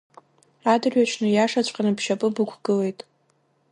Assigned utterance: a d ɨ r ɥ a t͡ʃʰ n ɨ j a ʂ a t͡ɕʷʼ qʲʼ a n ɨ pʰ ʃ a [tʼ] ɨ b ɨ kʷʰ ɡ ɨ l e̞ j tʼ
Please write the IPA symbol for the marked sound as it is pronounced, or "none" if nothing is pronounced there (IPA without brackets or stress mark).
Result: pʼ